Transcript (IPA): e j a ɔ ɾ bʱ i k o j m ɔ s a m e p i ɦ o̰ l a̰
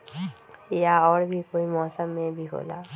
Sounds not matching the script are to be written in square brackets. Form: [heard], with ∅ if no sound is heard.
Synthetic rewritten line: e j a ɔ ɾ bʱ i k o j m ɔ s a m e [b] i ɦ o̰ l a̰

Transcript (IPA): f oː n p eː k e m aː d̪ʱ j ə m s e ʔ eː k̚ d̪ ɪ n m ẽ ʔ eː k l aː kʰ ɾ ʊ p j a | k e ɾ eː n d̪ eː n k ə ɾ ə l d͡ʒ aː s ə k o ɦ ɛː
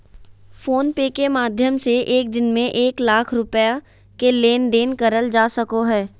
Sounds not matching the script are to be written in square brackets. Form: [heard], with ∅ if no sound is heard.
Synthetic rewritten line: f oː n p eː k e m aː d̪ʱ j ə m s e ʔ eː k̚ d̪ ɪ n m ẽ ʔ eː k l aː kʰ ɾ ʊ p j a | k e [l] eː n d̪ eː n k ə ɾ ə l d͡ʒ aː s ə k o ɦ ɛː

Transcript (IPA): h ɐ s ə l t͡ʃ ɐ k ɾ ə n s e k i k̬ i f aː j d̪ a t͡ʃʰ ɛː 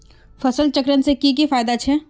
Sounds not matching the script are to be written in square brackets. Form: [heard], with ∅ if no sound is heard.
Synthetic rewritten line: [f] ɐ s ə l t͡ʃ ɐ k ɾ ə n s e k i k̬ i f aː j d̪ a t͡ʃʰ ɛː

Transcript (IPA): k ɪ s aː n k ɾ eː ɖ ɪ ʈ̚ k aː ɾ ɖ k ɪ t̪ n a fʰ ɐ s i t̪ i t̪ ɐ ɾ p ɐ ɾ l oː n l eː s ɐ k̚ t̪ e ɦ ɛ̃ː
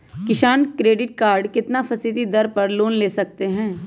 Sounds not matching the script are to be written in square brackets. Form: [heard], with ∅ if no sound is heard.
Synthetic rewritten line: k ɪ [ʃ] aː n k ɾ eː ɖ ɪ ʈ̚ k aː ɾ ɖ k ɪ t̪ n a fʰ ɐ s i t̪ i [d̪] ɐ ɾ p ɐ ɾ l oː n l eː s ɐ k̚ t̪ e ɦ ɛ̃ː

